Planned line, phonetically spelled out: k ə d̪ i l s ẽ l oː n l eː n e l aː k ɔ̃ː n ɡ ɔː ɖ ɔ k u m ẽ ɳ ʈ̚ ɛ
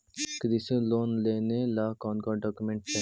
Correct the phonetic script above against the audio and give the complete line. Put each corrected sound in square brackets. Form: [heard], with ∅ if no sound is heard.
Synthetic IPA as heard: k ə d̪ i [∅] s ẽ l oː n l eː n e l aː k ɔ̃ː n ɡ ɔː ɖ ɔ k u m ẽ ɳ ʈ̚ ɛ